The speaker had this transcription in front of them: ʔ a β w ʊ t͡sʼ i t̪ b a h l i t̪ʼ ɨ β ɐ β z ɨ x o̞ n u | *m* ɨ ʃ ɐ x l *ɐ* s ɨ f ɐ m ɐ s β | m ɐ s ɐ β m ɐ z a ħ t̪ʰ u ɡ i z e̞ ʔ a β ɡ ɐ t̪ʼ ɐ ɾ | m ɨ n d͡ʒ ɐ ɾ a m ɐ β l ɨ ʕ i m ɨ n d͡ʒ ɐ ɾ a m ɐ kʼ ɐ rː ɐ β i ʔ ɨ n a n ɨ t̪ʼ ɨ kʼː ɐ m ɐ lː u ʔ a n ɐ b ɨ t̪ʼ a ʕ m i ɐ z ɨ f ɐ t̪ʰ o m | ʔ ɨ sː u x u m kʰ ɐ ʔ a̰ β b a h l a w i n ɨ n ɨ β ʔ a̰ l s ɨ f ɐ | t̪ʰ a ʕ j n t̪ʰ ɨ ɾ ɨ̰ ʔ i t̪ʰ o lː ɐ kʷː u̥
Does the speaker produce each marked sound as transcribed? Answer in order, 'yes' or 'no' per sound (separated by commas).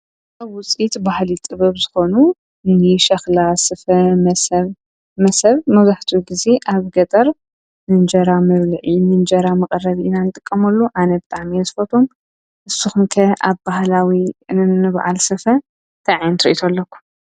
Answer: no, no